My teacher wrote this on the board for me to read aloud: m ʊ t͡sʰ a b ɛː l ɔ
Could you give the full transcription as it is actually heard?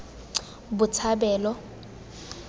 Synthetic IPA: b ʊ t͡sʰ a b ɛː l ɔ